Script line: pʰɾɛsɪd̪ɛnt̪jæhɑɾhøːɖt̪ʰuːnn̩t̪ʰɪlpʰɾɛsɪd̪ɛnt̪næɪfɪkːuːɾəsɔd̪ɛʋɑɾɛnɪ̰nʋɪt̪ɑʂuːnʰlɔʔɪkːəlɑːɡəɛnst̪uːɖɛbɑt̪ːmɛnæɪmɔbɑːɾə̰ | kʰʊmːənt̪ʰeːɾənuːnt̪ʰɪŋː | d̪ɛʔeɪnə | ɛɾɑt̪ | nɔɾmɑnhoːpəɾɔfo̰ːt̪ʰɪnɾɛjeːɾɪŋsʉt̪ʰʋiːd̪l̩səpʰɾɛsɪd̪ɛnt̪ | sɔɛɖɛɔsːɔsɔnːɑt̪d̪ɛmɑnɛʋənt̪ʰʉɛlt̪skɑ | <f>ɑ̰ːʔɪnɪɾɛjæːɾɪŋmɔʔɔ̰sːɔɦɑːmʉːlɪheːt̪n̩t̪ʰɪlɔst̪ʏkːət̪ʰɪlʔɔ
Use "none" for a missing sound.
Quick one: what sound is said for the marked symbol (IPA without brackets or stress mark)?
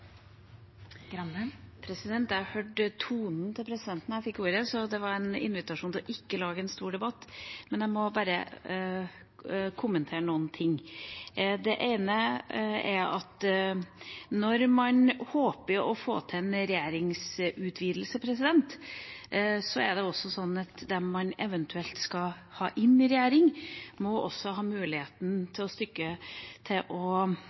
h